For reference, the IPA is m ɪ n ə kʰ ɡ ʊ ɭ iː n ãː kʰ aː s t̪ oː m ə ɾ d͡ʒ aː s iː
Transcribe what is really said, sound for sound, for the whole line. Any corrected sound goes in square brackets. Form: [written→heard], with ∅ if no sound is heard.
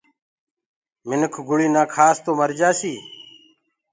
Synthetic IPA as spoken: m ɪ n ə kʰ ɡ ʊ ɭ iː n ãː kʰ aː s t̪ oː m ə ɾ d͡ʒ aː s iː